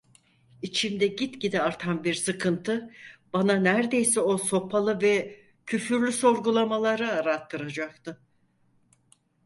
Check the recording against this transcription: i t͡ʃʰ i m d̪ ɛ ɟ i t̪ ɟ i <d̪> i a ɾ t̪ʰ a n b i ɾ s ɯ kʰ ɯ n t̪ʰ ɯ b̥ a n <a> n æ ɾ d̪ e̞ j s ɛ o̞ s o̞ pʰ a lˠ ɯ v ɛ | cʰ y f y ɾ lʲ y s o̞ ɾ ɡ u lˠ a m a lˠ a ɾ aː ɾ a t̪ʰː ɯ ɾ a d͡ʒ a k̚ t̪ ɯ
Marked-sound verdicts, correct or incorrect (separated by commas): correct, correct